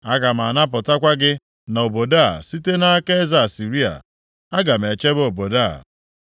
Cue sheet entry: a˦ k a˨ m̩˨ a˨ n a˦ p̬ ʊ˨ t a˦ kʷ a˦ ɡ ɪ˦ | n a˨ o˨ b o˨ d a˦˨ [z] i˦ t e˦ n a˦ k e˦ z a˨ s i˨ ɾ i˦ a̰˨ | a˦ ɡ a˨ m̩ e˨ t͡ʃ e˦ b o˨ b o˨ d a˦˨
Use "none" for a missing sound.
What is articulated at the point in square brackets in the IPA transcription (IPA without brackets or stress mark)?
s